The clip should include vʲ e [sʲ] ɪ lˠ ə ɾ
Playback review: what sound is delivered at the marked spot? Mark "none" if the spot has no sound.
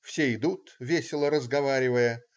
sʲ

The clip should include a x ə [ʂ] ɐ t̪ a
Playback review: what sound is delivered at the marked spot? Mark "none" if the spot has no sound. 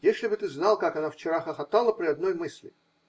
x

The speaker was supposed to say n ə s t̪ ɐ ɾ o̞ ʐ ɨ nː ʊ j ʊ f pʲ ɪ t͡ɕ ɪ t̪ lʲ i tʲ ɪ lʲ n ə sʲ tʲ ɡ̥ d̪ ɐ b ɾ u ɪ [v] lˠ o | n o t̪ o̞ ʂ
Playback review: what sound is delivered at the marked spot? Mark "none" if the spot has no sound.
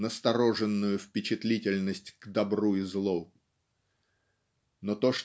z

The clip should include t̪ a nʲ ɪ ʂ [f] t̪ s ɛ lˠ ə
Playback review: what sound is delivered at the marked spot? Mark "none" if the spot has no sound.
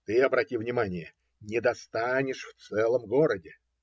f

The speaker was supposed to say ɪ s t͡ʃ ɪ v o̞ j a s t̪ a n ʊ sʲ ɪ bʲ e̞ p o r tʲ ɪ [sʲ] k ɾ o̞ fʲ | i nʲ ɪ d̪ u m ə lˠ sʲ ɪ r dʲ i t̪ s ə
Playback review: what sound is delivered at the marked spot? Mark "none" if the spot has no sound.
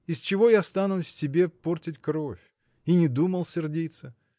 tʲ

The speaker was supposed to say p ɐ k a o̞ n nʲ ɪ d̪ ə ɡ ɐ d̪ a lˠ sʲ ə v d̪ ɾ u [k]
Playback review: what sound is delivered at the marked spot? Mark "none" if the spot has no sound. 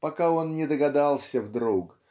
k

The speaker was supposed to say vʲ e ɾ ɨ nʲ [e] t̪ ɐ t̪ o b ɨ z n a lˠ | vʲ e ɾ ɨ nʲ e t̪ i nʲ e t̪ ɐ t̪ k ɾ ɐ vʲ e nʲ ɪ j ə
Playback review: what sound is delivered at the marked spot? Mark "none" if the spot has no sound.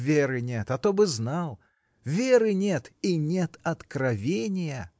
e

